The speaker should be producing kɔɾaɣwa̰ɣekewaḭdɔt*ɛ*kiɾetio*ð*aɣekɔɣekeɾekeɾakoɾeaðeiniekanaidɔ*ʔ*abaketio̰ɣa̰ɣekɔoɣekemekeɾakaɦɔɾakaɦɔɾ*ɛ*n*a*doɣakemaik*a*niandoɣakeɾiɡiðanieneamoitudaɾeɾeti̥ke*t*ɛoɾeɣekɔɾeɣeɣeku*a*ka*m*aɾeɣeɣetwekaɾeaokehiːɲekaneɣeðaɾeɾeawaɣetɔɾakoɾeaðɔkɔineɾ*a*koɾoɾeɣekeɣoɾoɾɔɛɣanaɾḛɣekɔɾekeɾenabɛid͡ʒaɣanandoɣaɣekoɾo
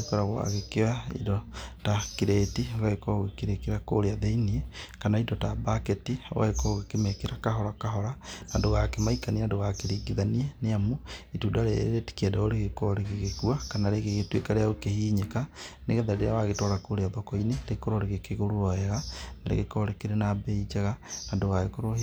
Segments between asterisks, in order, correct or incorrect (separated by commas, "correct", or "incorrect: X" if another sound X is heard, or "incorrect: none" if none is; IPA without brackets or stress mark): incorrect: a, incorrect: ɣ, incorrect: t, incorrect: a, correct, correct, incorrect: d, correct, incorrect: n, incorrect: e